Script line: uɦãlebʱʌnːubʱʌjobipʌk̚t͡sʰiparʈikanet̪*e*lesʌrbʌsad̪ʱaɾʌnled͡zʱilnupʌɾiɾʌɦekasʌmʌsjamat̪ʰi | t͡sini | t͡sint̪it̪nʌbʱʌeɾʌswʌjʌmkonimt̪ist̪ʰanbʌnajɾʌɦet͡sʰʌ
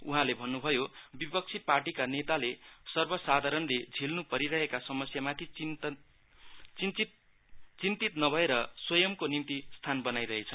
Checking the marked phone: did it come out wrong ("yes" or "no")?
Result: yes